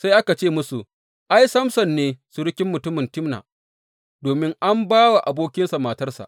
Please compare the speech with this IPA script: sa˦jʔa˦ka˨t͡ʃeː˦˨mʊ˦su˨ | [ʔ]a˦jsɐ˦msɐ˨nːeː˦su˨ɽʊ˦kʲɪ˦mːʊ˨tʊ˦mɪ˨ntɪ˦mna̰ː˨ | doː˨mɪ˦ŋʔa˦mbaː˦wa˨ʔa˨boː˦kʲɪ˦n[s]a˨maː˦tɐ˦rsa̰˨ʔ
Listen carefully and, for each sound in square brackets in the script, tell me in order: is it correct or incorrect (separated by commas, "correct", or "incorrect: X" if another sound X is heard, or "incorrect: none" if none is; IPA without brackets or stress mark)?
correct, correct